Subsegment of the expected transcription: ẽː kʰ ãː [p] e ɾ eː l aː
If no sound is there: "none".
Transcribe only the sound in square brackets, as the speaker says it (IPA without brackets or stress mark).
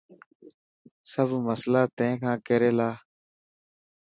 k